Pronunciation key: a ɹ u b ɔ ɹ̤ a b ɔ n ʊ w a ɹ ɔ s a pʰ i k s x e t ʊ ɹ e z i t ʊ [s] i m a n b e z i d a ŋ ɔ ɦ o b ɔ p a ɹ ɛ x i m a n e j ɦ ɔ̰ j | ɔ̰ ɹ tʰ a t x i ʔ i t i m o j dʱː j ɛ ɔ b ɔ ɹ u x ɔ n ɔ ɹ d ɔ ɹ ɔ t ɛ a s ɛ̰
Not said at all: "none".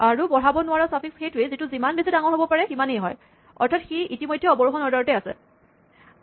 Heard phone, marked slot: z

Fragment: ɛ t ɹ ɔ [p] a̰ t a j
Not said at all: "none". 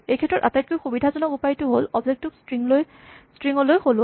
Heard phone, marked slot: t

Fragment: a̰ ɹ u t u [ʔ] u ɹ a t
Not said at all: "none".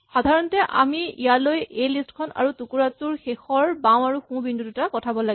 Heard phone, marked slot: k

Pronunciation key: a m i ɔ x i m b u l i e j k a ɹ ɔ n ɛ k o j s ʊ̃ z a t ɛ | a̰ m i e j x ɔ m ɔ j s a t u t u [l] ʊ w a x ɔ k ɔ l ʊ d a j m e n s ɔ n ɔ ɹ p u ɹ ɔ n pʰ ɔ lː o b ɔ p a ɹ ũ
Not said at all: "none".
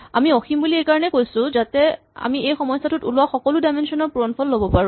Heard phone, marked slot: l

